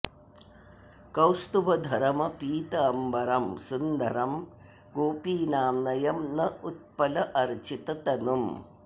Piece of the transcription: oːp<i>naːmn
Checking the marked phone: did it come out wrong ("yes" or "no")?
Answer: yes